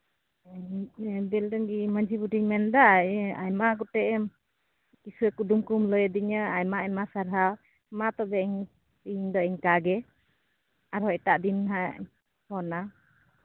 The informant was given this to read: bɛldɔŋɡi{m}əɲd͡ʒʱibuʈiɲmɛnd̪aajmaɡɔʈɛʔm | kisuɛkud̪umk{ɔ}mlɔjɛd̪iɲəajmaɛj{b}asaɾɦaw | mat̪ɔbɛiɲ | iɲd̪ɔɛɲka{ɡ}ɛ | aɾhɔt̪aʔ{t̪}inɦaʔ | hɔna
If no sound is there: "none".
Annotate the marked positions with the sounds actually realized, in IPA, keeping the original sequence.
m, u, m, ɡ, d̪

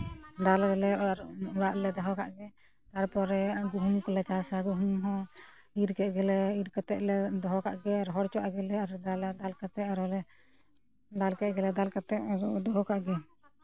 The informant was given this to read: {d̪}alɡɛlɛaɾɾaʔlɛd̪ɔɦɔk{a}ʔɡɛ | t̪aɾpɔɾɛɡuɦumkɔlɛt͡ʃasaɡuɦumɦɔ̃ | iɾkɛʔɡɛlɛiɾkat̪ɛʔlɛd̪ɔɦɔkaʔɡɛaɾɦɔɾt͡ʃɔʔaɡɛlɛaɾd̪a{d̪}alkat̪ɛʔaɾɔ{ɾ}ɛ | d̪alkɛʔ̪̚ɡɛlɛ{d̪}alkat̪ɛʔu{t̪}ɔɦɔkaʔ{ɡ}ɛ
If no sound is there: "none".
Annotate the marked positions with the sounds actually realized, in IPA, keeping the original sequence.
d̪, a, d̪, l, d̪, d̪, ɡ

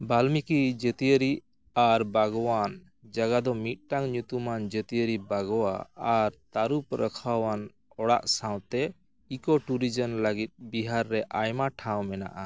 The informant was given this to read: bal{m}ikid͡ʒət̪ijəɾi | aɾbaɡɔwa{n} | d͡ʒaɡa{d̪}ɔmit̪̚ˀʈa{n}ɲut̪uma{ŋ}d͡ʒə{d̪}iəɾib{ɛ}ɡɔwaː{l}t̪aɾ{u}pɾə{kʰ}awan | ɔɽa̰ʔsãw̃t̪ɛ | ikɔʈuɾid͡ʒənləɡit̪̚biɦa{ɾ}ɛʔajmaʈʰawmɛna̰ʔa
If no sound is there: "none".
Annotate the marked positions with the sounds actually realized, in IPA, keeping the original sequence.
m, n, d̪, ŋ, n, t̪, a, ɾ, u, kʰ, ɾː

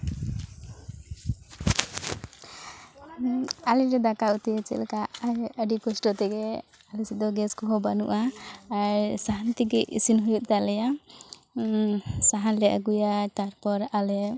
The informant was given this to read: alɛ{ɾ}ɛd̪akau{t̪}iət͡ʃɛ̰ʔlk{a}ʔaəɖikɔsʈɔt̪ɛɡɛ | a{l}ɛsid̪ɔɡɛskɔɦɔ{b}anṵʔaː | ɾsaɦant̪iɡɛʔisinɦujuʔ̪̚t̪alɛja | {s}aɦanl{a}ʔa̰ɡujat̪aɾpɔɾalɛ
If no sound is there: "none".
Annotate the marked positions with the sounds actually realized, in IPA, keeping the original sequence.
ɾ, t̪, a, l, b, s, ɛ

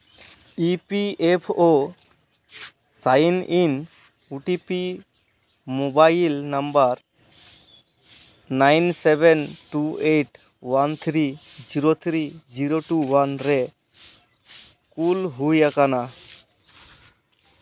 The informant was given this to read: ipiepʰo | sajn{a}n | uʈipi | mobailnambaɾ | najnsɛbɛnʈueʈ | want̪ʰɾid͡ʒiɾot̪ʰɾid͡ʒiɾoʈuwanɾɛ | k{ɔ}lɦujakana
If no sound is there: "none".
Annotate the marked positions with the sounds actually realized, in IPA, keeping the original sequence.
i, u

